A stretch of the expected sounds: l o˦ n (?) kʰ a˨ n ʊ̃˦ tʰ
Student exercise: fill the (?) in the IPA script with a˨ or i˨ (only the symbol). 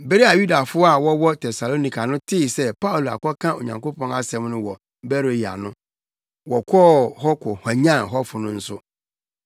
i˨